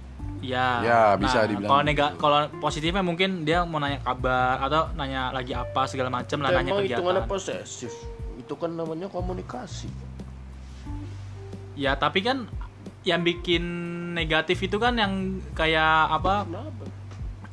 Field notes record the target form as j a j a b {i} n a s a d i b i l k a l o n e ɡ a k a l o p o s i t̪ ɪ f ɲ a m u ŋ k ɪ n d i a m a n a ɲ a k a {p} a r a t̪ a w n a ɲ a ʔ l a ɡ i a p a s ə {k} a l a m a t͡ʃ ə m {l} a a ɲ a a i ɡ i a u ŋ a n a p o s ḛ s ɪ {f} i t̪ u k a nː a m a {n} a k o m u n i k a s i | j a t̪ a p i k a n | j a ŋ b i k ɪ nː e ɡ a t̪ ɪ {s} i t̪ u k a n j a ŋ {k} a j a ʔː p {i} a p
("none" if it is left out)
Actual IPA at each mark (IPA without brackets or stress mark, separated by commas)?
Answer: i, b, ɡ, l, f, ɲ, f, k, a